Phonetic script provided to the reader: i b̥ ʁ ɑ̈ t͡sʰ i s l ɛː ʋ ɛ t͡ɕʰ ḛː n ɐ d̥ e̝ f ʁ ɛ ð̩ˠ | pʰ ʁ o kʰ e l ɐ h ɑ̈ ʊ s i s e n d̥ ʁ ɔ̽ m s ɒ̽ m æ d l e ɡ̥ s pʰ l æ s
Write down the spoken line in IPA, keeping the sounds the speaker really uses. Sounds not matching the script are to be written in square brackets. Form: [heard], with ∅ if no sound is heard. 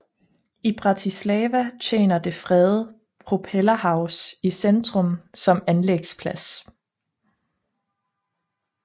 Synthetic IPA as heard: i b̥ ʁ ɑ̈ t͡sʰ i s l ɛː ʋ [æ] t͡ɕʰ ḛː n ɐ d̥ e̝ f ʁ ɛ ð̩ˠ | pʰ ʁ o [pʰ] e l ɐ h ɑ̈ ʊ s i s e n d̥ ʁ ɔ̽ m s ɒ̽ m æ [n] l e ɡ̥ s pʰ l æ s

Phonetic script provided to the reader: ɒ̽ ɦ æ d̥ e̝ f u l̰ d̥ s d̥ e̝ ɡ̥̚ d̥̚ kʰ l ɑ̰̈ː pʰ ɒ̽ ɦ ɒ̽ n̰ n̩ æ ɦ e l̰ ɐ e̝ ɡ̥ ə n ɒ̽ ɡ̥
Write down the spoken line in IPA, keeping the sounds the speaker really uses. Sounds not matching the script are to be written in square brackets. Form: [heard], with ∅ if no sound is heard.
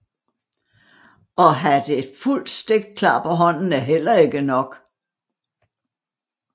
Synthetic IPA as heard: ɒ̽ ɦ æ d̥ e̝ f u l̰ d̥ s d̥ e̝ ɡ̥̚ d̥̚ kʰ l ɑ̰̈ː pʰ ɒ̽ ɦ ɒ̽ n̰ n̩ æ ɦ e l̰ ɐ e̝ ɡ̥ ə n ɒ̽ ɡ̥

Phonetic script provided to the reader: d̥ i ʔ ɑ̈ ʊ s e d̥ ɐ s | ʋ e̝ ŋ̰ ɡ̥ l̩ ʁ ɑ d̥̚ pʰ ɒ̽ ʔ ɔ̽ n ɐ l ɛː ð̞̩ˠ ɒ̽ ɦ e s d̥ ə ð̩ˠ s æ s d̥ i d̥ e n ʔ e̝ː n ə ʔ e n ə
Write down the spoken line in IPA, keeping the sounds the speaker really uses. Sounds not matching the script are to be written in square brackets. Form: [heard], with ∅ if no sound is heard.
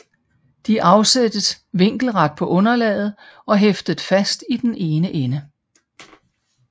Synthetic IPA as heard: d̥ i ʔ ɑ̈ ʊ s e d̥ [ə] s | ʋ e̝ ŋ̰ ɡ̥ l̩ ʁ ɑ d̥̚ pʰ ɒ̽ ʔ ɔ̽ n ɐ l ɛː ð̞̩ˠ ɒ̽ ɦ e [f] d̥ ə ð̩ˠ [f] æ s d̥ i d̥ e n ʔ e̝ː n ə ʔ e n ə

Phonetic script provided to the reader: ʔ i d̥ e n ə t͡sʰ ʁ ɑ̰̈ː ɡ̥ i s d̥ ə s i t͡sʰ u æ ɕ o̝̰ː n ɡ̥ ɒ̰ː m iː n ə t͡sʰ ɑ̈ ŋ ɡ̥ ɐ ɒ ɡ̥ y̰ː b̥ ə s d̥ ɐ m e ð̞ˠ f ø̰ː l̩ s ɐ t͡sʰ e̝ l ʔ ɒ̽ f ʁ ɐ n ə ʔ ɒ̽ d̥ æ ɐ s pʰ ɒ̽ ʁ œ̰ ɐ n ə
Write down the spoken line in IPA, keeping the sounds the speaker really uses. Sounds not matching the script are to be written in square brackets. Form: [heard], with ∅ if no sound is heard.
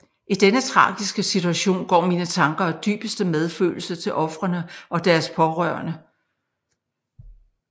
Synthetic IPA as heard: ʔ i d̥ e n ə t͡sʰ ʁ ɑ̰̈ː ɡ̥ i s [ɡ̥] ə s i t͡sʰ u æ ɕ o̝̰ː n ɡ̥ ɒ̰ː m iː n ə t͡sʰ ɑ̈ ŋ ɡ̥ ɐ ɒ [d̥] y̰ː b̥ ə s d̥ [ə] m e ð̞ˠ f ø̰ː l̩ s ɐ t͡sʰ e̝ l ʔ ɒ̽ f ʁ ɐ n ə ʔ ɒ̽ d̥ æ ɐ s pʰ ɒ̽ ʁ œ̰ ɐ n ə

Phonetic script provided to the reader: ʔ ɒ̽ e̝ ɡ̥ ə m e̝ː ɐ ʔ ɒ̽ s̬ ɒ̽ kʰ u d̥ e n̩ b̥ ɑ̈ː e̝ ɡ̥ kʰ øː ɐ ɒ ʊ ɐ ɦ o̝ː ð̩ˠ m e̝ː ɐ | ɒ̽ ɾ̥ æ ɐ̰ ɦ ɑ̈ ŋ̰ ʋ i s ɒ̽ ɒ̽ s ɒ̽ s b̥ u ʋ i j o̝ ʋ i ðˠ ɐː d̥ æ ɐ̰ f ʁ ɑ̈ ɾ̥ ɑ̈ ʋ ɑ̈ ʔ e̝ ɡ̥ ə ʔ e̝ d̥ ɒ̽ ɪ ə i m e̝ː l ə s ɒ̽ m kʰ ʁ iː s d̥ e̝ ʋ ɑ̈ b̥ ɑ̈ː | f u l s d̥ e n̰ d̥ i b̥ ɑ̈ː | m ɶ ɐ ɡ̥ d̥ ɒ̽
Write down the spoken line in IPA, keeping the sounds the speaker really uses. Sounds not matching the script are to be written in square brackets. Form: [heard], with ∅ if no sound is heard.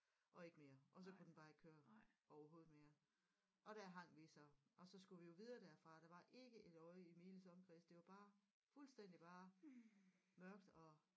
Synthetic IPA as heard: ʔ ɒ̽ e̝ ɡ̥ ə m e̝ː ɐ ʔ ɒ̽ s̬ ɒ̽ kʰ u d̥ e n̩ b̥ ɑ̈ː e̝ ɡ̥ kʰ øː ɐ ɒ ʊ ɐ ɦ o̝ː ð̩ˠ m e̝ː ɐ | ɒ̽ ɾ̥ æ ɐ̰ ɦ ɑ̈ ŋ̰ ʋ i s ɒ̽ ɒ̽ s ɒ̽ s [ɡ̥] u ʋ i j o̝ ʋ i ðˠ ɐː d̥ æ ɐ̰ f ʁ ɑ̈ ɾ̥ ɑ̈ ʋ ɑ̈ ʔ e̝ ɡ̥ ə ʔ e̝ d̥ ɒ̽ ɪ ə i m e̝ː l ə s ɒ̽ m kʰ ʁ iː s d̥ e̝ ʋ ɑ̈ b̥ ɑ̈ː | f u l s d̥ e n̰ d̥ i b̥ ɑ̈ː | m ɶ ɐ ɡ̥ d̥ ɒ̽

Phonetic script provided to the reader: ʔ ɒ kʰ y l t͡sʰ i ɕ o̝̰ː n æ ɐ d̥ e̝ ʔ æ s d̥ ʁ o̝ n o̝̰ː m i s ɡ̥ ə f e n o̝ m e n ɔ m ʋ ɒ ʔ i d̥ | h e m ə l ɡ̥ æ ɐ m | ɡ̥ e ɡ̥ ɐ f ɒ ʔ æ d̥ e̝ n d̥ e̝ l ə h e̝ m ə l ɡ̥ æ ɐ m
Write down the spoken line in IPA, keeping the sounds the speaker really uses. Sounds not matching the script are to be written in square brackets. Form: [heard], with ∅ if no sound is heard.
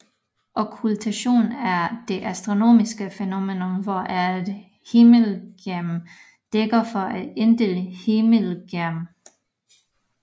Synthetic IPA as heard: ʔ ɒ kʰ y l t͡sʰ [æ] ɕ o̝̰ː n æ ɐ d̥ e̝ ʔ æ s d̥ ʁ o̝ n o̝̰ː m i s ɡ̥ ə f e n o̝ m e n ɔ m ʋ ɒ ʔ [æ] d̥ | h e m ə l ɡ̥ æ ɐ m | [d̥] e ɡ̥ ɐ f ɒ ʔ æ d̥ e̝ n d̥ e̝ l ə h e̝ m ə l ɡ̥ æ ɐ m

